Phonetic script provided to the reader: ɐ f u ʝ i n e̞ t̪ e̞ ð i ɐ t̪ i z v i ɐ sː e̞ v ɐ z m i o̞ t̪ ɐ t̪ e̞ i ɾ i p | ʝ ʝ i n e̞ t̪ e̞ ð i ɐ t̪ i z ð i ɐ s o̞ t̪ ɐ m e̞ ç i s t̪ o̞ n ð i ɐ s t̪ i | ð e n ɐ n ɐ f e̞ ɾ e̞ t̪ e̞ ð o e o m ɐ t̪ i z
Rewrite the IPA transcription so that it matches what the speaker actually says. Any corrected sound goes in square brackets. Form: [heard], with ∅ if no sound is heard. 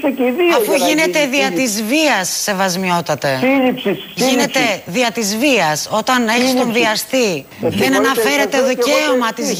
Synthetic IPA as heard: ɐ f u ʝ i n e̞ t̪ e̞ ð i ɐ t̪ i z v i ɐ sː e̞ v ɐ z m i o̞ t̪ ɐ t̪ e̞ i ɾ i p | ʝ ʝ i n e̞ t̪ e̞ ð i ɐ t̪ i z [v] i ɐ s o̞ t̪ ɐ [n] e̞ ç i s t̪ o̞ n ð i ɐ s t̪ i | ð e n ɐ n ɐ f e̞ ɾ e̞ t̪ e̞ ð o e o m ɐ t̪ i z